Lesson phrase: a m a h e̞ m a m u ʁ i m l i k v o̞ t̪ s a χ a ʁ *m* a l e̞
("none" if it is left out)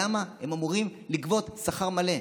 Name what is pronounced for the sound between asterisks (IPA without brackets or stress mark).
m